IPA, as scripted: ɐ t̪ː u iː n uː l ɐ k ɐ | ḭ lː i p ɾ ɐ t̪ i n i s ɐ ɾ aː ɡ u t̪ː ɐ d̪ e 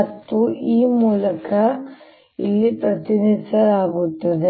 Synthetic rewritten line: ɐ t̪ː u iː m uː l ɐ k ɐ | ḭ lː i p ɾ ɐ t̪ i n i s ɐ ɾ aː ɡ u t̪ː ɐ d̪ e